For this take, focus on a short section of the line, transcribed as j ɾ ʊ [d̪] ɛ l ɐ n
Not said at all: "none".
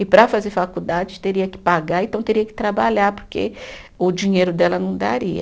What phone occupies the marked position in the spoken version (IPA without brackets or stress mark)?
d̪